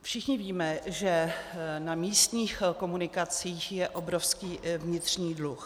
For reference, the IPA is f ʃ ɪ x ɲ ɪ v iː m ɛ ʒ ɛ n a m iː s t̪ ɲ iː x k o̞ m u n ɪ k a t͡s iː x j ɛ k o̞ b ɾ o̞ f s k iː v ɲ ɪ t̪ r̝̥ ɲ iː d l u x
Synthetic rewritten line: f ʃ ɪ x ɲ ɪ v iː m ɛ ʒ ɛ n a m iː s t̪ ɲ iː x k o̞ m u n ɪ k a t͡s iː x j ɛ ʔ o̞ b ɾ o̞ f s k iː v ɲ ɪ t̪ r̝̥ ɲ iː d l u x